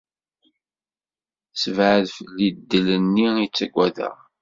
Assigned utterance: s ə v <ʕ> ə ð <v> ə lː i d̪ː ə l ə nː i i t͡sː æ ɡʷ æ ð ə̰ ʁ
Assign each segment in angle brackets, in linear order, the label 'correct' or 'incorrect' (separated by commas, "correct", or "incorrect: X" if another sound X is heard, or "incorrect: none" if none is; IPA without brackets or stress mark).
correct, incorrect: f